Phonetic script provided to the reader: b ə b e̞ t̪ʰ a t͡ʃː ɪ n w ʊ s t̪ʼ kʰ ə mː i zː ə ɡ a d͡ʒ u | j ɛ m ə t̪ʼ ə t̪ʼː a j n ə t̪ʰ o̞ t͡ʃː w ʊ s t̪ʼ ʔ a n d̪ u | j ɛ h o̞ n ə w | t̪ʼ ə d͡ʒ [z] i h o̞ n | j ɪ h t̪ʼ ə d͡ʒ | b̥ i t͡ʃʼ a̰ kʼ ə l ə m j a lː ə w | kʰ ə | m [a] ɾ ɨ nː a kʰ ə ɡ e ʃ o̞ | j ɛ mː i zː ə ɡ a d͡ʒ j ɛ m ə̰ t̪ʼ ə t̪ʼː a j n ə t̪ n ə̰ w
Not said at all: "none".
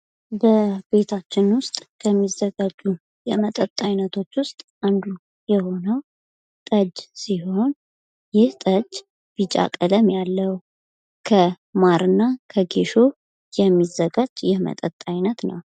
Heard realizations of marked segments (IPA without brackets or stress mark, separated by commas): s, a